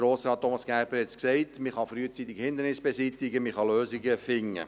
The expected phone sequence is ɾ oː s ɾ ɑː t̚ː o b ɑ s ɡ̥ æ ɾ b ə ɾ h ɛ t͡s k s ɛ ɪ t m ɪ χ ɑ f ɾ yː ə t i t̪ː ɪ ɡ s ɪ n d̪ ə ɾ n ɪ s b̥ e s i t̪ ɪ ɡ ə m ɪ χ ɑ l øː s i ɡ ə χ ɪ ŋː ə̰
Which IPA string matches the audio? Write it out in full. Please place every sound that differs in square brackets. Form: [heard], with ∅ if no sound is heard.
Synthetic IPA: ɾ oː s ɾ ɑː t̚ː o [m] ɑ s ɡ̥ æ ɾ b ə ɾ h ɛ t͡s k s ɛ ɪ t m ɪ χ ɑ f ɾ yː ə [t͡s] i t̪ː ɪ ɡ [h] ɪ n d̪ ə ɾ n ɪ s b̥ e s i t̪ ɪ ɡ ə m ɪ χ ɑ l øː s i ɡ ə [f] ɪ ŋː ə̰